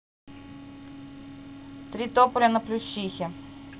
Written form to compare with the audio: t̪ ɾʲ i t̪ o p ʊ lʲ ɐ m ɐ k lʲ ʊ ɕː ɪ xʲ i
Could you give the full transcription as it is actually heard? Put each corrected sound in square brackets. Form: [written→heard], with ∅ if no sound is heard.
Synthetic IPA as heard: t̪ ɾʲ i t̪ o p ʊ lʲ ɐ [m→n] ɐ [k→p] lʲ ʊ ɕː [ɪ→i] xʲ [i→ɪ]